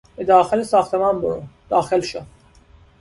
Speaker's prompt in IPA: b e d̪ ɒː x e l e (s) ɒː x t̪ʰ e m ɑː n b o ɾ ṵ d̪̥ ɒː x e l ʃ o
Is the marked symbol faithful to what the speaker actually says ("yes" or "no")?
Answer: yes